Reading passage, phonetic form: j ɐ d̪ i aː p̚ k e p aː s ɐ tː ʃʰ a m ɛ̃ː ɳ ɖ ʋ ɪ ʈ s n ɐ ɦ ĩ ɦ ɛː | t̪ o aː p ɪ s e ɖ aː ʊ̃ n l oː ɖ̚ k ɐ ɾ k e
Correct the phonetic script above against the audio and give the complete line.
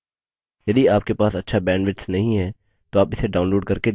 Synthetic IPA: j ɐ d̪ i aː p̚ k e p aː s ɐ tː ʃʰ a b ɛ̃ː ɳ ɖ ʋ ɪ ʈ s n ɐ ɦ ĩ ɦ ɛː | t̪ o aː p ɪ s e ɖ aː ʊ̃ n l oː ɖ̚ k ɐ ɾ k e